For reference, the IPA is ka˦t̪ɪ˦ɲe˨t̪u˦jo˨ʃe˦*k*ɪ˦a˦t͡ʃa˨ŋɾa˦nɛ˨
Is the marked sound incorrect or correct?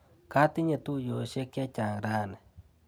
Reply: correct